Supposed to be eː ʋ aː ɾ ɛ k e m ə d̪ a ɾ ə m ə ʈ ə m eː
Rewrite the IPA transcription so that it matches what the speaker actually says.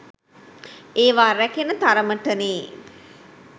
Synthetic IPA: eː ʋ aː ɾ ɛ k e n ə t̪ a ɾ ə m ə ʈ ə n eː